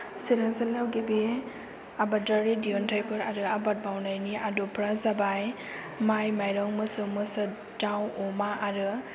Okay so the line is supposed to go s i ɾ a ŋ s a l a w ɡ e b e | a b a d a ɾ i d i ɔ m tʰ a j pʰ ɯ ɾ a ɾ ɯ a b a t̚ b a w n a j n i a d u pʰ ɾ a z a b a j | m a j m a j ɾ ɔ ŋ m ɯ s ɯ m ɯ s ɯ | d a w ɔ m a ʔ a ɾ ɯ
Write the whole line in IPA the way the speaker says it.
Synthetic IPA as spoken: s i ɾ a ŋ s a l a w ɡ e b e | a b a d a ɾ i d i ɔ n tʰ a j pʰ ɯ ɾ a ɾ ɯ a b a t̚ b a w n a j n i a d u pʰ ɾ a z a b a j | m a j m a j ɾ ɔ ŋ m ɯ s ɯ m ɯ s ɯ | d a w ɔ m a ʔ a ɾ ɯ